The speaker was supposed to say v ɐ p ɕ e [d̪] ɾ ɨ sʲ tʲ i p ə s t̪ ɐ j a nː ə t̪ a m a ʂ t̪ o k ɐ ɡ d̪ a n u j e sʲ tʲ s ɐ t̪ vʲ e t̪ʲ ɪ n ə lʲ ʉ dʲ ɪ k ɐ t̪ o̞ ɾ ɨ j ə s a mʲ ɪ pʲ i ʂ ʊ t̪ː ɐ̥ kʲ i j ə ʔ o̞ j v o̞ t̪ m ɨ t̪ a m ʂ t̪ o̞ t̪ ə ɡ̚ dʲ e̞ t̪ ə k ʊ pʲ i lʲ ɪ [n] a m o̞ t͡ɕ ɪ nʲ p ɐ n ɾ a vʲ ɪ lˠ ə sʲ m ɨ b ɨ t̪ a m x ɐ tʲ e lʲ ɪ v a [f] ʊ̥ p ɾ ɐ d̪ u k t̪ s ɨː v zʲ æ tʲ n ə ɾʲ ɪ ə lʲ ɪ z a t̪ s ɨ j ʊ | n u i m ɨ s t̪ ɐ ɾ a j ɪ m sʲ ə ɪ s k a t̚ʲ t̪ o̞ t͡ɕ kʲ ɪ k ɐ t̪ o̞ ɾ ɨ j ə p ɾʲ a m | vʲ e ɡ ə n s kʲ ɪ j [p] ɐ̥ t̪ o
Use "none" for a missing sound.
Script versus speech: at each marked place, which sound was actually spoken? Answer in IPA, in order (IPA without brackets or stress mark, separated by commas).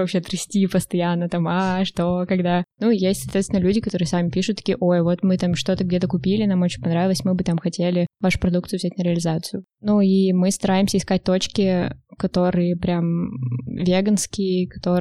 t̪, n, ʂ, k